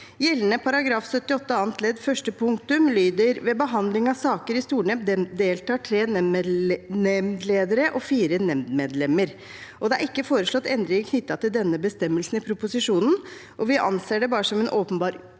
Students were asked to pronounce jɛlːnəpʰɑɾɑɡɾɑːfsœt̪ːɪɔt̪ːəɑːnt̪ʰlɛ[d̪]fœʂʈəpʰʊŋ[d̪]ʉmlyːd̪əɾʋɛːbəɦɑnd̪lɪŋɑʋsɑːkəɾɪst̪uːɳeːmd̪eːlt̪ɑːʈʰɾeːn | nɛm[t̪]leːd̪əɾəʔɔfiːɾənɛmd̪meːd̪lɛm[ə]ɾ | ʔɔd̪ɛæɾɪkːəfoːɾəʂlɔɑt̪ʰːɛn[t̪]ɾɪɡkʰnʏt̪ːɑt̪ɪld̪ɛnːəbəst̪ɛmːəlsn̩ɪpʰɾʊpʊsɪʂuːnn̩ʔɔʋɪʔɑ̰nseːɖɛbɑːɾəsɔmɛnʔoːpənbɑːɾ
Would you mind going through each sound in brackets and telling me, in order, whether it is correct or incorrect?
correct, incorrect, incorrect, correct, incorrect

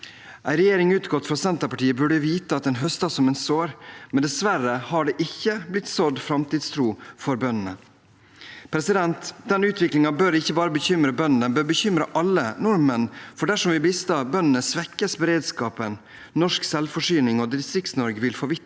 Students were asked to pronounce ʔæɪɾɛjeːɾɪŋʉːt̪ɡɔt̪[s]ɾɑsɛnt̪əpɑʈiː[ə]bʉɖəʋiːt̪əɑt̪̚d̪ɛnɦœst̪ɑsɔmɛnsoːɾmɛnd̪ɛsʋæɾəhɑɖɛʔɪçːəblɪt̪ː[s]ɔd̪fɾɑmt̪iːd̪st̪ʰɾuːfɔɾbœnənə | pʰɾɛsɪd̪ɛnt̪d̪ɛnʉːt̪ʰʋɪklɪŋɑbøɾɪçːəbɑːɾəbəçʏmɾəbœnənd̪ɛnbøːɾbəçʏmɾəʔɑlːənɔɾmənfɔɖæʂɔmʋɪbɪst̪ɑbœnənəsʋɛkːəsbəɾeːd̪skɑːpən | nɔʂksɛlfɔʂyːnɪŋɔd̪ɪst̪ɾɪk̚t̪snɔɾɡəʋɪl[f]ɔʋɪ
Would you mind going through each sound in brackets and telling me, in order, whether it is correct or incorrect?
incorrect, correct, correct, correct

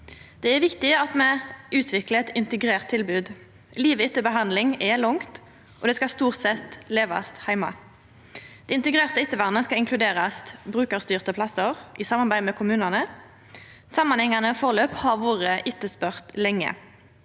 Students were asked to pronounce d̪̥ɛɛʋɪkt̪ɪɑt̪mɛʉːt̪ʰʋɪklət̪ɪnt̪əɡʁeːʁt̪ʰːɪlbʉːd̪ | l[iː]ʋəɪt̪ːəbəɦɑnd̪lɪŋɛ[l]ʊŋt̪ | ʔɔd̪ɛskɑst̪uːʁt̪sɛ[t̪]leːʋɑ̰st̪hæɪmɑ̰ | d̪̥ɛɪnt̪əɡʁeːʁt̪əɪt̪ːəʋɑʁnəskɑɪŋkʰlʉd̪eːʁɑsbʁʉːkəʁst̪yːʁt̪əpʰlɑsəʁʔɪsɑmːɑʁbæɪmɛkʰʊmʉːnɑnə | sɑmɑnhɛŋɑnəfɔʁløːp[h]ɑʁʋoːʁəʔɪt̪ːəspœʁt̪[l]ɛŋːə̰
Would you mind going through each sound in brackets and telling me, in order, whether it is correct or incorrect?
correct, correct, correct, correct, correct

